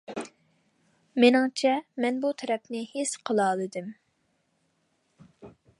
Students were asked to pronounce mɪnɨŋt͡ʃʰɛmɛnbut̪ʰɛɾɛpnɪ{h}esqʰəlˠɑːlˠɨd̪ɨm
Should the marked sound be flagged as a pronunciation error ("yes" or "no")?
no